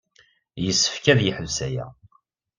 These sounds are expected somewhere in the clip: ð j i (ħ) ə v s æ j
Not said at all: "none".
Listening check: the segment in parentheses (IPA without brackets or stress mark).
ħ